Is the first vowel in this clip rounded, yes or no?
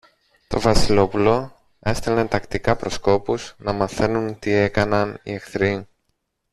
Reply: yes